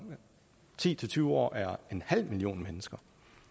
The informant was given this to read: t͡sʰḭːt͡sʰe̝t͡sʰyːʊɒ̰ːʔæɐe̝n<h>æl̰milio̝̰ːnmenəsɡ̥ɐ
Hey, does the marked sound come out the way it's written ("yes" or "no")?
yes